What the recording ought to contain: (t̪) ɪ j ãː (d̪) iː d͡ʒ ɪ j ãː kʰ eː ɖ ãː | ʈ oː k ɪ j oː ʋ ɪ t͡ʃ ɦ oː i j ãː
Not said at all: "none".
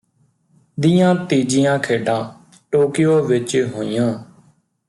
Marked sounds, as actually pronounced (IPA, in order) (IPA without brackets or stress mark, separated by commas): d̪, t̪